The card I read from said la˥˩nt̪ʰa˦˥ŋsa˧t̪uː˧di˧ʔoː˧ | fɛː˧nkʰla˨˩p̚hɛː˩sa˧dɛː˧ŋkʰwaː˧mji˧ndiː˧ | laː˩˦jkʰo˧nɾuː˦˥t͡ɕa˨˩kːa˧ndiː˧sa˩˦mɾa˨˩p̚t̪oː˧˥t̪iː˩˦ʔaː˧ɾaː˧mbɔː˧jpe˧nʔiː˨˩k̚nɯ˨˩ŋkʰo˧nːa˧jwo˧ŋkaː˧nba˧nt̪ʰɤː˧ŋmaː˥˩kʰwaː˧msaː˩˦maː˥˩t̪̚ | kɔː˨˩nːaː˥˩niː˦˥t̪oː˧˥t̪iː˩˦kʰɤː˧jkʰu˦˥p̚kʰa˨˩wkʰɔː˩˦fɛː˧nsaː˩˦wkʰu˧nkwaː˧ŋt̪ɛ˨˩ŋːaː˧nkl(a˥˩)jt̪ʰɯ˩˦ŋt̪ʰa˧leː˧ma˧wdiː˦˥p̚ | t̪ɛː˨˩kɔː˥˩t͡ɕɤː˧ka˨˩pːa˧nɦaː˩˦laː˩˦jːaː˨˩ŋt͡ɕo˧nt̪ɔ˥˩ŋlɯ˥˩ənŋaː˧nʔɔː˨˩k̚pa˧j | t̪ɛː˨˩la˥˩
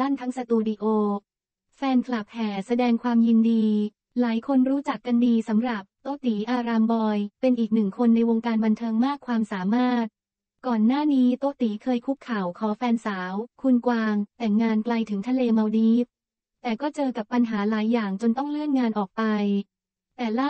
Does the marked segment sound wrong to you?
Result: yes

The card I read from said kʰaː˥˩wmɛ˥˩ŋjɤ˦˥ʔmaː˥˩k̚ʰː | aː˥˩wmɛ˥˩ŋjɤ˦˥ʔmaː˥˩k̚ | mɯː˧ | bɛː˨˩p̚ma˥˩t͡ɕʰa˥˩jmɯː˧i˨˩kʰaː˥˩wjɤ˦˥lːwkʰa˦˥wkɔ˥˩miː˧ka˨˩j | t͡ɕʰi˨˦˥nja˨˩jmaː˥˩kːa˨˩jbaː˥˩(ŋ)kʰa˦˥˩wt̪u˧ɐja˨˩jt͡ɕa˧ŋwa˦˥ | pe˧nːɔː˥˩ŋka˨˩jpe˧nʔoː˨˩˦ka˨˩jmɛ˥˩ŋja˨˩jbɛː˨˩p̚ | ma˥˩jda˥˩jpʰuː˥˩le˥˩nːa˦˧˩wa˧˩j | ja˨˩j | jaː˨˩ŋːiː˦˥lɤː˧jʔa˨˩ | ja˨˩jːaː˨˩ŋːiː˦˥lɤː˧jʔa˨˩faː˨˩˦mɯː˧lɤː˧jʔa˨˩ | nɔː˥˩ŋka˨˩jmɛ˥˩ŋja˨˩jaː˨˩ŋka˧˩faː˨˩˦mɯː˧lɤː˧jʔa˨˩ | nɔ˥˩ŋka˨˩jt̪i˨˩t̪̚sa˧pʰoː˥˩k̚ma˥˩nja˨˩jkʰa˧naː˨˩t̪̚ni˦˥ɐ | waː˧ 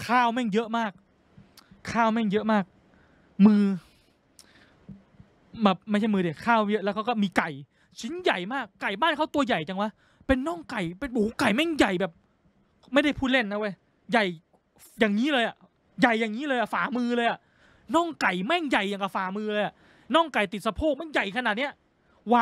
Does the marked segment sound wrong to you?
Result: yes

